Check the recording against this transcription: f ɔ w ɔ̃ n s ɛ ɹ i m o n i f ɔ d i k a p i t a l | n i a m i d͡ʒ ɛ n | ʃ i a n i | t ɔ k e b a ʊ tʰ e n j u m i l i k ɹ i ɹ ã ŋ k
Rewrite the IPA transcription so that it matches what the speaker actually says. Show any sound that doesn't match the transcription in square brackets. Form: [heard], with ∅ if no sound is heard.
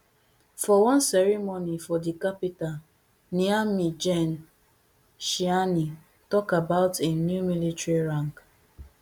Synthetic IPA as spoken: f ɔ w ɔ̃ n s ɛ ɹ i m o n i f ɔ d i k a p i t a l | n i a m i d͡ʒ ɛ n | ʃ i a n i | t ɔ k [a] b a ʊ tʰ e n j u m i l i [t] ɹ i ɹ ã ŋ k